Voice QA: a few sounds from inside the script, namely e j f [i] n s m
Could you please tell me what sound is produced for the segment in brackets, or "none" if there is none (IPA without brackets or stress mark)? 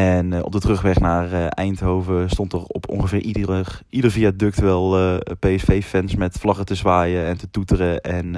ɛ